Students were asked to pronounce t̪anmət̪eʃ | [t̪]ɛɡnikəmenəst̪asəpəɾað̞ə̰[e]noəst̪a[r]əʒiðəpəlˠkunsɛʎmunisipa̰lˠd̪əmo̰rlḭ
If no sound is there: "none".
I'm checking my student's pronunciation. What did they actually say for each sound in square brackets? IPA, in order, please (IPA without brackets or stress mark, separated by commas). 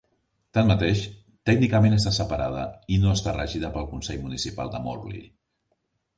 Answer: t̪, i, r